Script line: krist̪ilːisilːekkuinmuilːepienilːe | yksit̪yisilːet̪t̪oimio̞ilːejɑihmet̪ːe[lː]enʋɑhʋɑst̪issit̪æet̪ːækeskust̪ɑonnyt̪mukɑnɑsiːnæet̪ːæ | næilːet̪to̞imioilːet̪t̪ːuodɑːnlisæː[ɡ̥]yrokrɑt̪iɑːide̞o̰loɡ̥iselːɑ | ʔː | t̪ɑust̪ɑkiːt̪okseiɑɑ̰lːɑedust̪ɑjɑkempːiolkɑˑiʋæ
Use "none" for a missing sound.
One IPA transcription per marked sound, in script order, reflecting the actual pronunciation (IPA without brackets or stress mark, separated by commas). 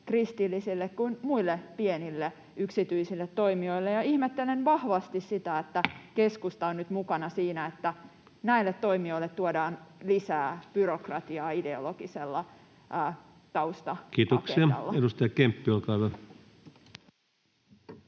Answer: l, b̥